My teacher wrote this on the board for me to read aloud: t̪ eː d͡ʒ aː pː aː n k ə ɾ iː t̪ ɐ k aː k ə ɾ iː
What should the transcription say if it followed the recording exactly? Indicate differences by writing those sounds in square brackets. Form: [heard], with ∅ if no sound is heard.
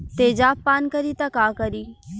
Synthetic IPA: t̪ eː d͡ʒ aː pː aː n k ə ɾ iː t̪ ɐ k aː k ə ɾ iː